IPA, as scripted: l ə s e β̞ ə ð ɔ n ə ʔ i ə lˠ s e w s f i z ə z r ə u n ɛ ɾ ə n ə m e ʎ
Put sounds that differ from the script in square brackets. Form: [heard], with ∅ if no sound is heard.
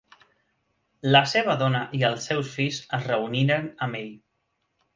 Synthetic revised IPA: l ə s e β̞ ə ð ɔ n ə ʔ i ə lˠ s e w s f i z ə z r ə u n [i] ɾ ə n ə m e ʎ